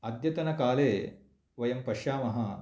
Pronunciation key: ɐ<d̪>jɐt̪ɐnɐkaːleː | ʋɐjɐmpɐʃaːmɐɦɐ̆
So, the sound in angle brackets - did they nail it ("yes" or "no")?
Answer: yes